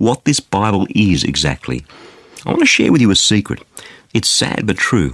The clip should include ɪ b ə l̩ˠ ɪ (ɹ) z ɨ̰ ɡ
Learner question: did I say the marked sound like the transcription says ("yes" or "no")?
no